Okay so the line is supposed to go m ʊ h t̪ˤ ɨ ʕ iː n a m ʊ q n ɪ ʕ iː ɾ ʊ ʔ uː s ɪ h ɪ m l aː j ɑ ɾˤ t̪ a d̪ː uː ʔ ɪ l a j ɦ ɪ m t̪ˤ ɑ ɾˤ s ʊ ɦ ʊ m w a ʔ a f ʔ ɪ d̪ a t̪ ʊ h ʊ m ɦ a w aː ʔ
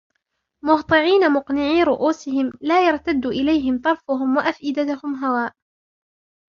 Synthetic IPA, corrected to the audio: m ʊ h t̪ˤ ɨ ʕ iː n a m ʊ q n ɪ ʕ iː ɾ ʊ ʔ uː s ɪ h ɪ m l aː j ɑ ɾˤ t̪ a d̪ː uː ʔ ɪ l a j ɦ ɪ m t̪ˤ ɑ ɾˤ f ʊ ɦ ʊ m w a ʔ a f ʔ ɪ d̪ a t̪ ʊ h ʊ m ɦ a w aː ʔ